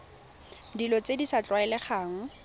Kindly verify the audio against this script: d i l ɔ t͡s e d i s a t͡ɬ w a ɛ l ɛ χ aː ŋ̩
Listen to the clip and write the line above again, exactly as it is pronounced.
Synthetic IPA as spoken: d i l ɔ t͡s e d i s a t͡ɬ w a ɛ l ɛ χ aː ŋ̩